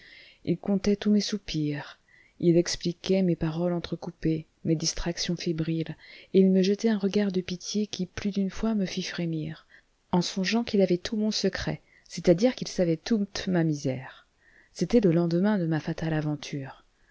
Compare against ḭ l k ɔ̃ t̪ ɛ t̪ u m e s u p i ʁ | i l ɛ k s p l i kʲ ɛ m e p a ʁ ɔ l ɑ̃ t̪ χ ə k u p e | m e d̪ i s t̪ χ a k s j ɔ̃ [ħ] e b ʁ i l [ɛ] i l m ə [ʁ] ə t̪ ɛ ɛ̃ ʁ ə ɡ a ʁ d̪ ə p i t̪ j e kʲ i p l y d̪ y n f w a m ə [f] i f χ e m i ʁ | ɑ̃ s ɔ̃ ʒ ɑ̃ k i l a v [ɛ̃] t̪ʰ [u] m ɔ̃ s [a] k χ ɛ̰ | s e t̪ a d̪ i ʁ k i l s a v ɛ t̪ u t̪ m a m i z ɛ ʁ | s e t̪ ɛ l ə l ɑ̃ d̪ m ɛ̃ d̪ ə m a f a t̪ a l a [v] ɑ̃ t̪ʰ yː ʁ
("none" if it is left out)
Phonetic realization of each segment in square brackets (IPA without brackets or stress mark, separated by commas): f, e, ʒ, f, ɛ, u, ə, v